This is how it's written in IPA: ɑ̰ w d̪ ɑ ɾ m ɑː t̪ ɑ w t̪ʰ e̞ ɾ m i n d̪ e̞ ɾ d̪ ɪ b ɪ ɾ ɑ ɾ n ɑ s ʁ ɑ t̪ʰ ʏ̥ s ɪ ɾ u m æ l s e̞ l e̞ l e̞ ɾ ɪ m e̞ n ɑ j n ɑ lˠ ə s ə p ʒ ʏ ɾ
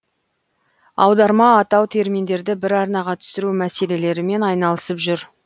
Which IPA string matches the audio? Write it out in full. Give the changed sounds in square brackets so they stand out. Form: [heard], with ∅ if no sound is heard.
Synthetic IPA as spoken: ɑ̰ w d̪ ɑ ɾ m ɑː t̪ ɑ w t̪ʰ e̞ ɾ m i n d̪ e̞ ɾ d̪ ɪ b ɪ ɾ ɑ ɾ n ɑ [∅] ʁ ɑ t̪ʰ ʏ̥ s ɪ ɾ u m æ [∅] s e̞ l e̞ l e̞ ɾ ɪ m e̞ n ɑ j n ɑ lˠ ə s ə p ʒ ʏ ɾ